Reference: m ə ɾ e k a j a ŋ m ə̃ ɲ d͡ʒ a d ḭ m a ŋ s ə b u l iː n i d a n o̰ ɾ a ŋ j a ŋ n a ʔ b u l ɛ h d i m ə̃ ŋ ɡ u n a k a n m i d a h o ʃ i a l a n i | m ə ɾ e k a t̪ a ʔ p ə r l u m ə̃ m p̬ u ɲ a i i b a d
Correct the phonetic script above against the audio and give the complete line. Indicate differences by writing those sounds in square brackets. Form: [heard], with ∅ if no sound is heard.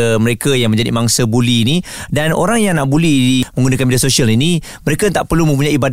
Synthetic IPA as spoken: m ə ɾ e k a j a ŋ m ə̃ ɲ d͡ʒ a d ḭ m a ŋ s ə b u l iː n i d a n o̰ ɾ a ŋ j a ŋ n a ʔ b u l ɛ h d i m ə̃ ŋ ɡ u n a k a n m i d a [s] o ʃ i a l [i] n i | m ə ɾ e k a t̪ a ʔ p ə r l u m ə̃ m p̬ u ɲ a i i b a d